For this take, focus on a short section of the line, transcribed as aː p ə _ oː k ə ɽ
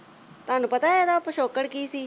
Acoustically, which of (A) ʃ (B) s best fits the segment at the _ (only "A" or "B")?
A